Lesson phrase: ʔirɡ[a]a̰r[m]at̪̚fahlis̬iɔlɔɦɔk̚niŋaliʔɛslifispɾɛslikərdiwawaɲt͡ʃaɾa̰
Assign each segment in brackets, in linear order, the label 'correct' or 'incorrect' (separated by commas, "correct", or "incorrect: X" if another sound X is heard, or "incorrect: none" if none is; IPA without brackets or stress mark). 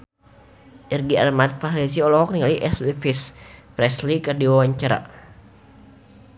incorrect: i, correct